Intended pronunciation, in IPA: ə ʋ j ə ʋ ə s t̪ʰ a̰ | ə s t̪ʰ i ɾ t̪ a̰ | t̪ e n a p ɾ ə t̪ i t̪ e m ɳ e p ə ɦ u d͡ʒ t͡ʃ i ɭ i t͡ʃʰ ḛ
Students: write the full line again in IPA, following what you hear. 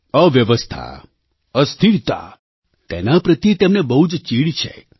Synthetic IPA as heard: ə ʋ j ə ʋ ə s t̪ʰ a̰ | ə s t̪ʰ i ɾ t̪ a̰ | t̪ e n a p ɾ ə t̪ i t̪ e m n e b ə ɦ u d͡ʒ t͡ʃ i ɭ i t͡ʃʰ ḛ